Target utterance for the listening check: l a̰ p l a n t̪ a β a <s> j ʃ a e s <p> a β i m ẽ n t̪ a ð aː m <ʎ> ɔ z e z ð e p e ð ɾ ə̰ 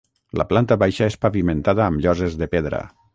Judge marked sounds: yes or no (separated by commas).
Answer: no, yes, yes